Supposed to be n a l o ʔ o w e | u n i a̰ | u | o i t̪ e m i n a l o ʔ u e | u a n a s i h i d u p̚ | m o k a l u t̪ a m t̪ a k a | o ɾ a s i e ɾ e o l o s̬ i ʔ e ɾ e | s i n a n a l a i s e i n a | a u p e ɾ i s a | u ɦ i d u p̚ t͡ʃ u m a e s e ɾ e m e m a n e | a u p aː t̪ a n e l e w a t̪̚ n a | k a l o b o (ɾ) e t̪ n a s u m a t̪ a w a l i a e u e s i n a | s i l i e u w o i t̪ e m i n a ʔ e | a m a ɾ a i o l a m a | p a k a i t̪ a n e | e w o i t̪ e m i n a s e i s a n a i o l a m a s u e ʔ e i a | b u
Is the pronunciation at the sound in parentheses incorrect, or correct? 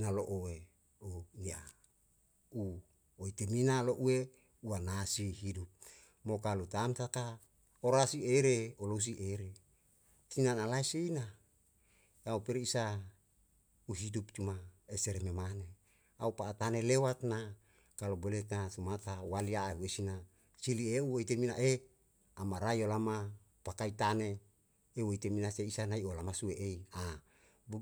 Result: incorrect